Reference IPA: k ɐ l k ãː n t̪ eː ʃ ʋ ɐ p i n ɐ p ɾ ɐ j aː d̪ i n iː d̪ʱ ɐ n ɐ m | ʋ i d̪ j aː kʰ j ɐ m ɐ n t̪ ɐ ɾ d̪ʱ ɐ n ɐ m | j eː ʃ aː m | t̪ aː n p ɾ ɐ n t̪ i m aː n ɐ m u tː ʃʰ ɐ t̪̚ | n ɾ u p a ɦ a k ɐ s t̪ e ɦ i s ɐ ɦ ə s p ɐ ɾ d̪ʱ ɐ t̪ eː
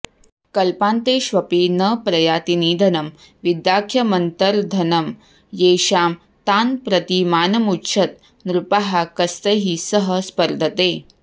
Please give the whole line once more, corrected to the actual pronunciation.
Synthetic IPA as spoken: k ɐ l p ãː n t̪ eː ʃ ʋ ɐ p i n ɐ p ɾ ɐ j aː t̪ i n iː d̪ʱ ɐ n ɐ m | ʋ i d̪ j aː kʰ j ɐ m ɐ n t̪ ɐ ɾ d̪ʱ ɐ n ɐ m | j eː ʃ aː m | t̪ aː n p ɾ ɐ t̪ i m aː n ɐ m u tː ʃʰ ɐ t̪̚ | n ɾ u p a ɦ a k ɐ s t̪ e ɦ i s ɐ ɦ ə s p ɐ ɾ d̪ʱ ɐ t̪ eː